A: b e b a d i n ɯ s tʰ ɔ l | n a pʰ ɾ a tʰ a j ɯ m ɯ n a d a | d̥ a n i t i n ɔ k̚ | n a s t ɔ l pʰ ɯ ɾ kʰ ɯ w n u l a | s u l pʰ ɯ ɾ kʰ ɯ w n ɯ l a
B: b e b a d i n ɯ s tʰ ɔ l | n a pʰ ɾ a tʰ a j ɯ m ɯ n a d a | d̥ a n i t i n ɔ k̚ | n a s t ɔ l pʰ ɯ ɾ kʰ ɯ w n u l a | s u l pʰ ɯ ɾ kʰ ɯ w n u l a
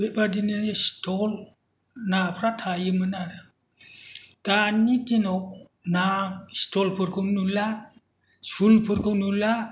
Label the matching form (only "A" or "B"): B